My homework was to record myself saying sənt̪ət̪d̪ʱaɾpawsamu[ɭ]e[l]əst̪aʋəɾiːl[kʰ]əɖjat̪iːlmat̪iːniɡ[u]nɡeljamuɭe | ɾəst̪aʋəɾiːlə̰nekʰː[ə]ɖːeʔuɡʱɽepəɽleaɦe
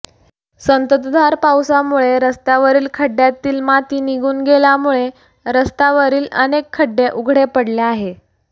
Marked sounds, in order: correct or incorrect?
correct, incorrect, correct, incorrect, correct

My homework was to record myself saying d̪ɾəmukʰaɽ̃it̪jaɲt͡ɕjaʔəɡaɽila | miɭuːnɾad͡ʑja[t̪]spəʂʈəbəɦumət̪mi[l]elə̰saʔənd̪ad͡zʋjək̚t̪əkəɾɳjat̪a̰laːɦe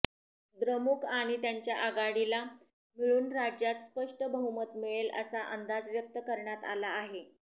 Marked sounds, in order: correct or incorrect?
correct, incorrect

